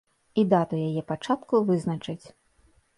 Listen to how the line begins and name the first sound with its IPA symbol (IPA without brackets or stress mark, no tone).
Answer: i